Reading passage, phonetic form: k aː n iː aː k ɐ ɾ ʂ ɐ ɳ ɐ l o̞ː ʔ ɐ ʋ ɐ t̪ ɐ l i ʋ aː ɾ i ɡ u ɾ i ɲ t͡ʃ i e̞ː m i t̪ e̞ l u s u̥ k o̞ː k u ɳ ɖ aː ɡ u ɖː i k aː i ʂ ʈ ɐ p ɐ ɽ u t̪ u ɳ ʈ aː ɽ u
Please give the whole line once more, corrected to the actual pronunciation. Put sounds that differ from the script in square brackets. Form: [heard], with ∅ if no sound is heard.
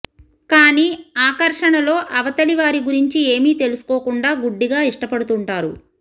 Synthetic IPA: k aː n iː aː k ɐ ɾ ʂ ɐ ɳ ɐ l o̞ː ʔ ɐ ʋ ɐ t̪ ɐ l i ʋ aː ɾ i ɡ u ɾ i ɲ t͡ʃ i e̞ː m [iː] t̪ e̞ l u s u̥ k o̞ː k u ɳ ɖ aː ɡ u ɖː i [ɡ] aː i ʂ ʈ ɐ p ɐ ɽ u t̪ u ɳ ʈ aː [ɾ] u